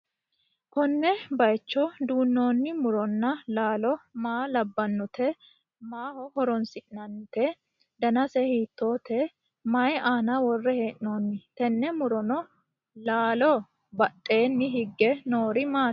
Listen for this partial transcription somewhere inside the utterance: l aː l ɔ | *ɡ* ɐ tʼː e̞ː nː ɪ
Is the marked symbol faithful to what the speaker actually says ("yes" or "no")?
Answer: no